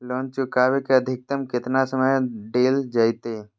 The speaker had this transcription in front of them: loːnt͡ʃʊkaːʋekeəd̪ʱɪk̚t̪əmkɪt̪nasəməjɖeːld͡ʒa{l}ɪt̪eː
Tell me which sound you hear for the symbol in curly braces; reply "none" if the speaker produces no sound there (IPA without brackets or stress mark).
none